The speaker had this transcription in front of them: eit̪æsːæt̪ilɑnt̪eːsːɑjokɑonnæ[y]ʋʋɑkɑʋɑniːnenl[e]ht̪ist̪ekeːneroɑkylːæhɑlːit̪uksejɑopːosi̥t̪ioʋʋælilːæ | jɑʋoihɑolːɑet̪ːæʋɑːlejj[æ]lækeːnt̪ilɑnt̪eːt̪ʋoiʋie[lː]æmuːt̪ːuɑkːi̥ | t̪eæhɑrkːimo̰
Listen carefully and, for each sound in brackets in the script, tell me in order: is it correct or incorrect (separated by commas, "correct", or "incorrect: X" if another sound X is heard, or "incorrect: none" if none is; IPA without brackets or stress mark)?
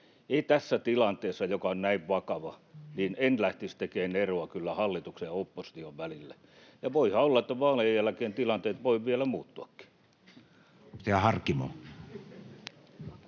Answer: incorrect: i, incorrect: æ, correct, incorrect: l